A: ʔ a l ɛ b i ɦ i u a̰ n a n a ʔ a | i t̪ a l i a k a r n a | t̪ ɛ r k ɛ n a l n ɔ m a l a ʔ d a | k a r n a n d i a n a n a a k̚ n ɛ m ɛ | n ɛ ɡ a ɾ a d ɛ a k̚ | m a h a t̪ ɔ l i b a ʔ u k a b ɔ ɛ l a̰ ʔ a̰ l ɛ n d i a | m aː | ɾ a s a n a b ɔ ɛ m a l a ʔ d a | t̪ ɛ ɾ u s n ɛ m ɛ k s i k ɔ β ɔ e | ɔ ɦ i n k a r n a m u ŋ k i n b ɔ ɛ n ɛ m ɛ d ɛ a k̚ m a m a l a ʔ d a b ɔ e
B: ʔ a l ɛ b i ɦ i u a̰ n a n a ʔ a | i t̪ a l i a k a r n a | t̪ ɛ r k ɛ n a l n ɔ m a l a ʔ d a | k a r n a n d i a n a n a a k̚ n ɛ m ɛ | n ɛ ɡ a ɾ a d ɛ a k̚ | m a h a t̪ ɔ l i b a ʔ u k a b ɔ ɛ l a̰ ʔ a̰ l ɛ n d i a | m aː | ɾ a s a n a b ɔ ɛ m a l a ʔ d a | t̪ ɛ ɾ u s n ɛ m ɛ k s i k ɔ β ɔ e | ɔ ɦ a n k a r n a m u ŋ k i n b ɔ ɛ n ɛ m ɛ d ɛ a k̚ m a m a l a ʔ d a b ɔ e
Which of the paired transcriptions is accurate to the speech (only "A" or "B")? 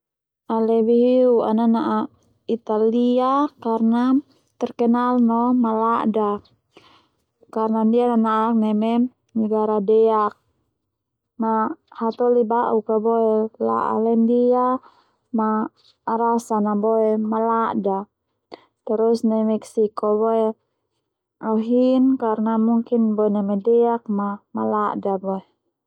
A